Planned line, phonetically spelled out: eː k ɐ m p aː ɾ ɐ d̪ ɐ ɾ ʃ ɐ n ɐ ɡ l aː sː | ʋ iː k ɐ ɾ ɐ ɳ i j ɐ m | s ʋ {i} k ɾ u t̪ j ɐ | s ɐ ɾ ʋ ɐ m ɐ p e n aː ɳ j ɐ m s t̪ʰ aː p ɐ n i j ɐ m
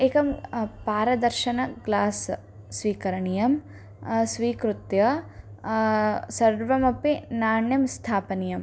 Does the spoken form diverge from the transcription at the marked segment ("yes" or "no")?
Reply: yes